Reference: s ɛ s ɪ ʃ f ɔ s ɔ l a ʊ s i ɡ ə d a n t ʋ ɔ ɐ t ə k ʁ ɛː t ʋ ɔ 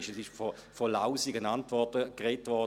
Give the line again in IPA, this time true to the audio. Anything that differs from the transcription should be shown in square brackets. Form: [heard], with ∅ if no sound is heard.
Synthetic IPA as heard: [ʃ] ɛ s ɪ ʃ f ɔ [f] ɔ l a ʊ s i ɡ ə [n] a n t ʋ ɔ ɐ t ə k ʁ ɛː t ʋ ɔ